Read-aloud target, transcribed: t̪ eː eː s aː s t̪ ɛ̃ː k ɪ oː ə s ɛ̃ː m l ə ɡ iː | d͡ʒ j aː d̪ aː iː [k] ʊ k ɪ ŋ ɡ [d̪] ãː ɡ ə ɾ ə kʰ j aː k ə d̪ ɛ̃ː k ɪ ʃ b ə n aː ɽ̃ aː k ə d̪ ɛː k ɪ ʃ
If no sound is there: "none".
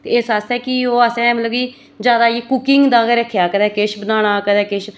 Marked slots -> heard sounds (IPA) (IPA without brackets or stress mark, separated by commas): k, d̪